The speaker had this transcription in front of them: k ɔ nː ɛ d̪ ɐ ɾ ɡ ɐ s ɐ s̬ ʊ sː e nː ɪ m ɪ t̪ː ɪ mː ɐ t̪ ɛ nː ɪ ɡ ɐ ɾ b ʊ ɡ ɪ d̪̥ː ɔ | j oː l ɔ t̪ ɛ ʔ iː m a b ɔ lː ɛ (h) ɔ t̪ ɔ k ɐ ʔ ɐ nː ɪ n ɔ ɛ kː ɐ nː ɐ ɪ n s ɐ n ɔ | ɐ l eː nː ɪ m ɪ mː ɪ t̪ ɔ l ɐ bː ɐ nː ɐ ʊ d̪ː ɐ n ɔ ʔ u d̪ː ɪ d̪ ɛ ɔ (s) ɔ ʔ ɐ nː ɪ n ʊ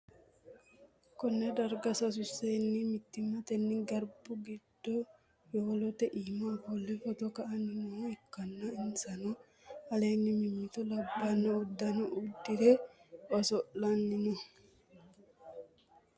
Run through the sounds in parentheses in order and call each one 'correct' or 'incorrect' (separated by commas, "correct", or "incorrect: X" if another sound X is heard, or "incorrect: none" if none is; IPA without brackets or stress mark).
incorrect: f, correct